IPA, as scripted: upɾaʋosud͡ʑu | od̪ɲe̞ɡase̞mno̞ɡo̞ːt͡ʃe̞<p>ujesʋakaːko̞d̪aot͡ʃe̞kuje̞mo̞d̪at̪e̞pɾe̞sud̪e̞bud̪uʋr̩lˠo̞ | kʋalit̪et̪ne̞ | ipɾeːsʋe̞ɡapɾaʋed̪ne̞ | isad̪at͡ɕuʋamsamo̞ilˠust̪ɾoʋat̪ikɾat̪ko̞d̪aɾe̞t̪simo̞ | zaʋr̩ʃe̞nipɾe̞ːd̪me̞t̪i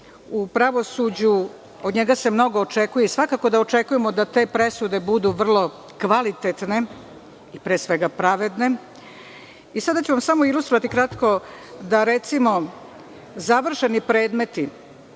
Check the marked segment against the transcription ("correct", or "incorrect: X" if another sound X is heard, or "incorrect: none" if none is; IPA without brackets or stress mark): incorrect: k